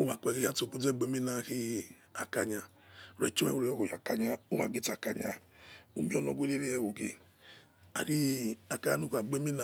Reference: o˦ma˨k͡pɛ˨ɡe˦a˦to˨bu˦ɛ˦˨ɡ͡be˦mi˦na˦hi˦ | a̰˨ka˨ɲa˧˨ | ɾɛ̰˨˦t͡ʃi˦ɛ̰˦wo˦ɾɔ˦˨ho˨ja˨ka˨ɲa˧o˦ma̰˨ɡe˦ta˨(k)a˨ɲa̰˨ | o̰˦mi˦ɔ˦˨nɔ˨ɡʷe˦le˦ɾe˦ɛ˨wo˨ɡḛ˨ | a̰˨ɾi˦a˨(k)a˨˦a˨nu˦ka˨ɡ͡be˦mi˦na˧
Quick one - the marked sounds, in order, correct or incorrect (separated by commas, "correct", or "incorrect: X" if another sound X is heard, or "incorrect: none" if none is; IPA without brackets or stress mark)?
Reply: correct, correct